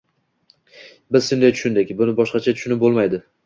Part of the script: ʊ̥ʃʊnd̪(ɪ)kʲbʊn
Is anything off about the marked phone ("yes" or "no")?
no